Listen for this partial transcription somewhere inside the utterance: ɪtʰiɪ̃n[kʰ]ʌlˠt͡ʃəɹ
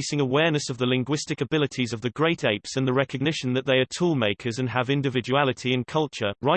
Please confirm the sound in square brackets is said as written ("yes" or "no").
yes